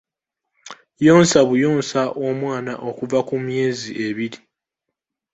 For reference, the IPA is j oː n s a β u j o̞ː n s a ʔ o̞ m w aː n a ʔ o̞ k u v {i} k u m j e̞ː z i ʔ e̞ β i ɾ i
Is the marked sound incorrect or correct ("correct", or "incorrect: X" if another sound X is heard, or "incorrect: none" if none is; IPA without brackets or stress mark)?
incorrect: a